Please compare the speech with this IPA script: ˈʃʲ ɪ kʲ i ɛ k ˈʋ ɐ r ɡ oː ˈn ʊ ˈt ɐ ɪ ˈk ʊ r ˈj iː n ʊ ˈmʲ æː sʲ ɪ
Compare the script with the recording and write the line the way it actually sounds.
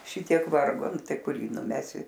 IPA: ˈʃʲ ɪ tʲ i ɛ k ˈʋ ɐ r ɡ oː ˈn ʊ ˈt ɐ ɪ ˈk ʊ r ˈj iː n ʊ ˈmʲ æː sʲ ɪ